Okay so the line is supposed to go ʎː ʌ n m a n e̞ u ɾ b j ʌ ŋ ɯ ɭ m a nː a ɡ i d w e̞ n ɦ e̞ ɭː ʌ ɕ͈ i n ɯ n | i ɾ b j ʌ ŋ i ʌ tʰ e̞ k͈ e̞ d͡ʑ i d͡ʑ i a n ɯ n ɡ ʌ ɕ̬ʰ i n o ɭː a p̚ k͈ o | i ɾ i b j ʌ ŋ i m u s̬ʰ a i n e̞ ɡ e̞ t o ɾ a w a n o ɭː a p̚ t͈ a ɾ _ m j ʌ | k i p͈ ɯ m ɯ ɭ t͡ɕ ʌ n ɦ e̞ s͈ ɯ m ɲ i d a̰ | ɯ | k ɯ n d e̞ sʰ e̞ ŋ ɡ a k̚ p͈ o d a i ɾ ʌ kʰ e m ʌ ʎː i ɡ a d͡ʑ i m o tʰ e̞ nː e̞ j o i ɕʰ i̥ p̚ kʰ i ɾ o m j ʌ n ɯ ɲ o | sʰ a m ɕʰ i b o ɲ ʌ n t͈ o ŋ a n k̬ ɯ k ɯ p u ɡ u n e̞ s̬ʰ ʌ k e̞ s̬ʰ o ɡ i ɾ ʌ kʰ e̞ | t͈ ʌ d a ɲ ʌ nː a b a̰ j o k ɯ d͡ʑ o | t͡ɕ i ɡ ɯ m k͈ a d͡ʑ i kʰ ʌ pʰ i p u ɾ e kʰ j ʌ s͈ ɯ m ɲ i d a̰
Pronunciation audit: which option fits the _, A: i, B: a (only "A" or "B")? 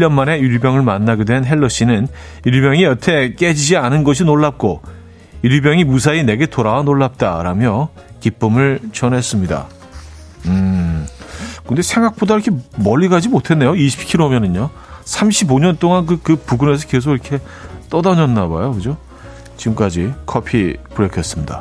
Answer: B